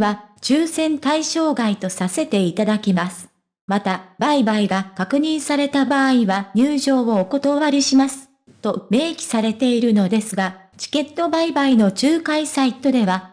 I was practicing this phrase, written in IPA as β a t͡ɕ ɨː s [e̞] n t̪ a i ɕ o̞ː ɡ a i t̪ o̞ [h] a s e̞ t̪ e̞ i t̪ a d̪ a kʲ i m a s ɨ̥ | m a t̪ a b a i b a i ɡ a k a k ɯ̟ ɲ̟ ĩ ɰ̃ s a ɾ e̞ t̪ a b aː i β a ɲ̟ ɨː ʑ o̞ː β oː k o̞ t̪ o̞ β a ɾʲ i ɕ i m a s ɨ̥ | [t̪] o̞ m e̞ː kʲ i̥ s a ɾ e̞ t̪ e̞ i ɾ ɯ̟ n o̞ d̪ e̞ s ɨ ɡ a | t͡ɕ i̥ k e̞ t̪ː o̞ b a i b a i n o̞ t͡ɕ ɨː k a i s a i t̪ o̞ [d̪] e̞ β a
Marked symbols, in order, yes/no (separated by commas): no, no, yes, yes